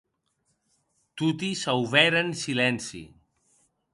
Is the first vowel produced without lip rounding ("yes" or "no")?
no